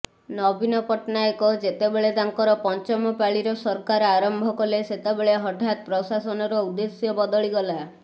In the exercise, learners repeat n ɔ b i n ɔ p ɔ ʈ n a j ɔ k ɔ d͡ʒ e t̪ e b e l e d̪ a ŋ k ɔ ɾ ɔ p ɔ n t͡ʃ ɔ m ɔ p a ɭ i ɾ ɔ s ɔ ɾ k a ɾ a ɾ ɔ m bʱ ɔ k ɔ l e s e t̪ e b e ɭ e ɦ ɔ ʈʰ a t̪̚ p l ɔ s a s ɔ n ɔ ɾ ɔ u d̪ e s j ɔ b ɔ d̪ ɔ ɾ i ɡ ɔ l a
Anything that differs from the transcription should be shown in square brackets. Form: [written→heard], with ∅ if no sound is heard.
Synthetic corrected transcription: n ɔ b i n ɔ p ɔ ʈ n a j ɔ k ɔ d͡ʒ e t̪ e b e [l→ɭ] e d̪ a ŋ k ɔ ɾ ɔ p ɔ n t͡ʃ ɔ m ɔ p a ɭ i ɾ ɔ s ɔ ɾ k a ɾ a ɾ ɔ m bʱ ɔ k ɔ l e s e t̪ e b e ɭ e ɦ ɔ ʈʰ a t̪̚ p [l→ɾ] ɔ s a s ɔ n ɔ ɾ ɔ u d̪ e s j ɔ b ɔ d̪ ɔ [ɾ→ɭ] i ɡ ɔ l a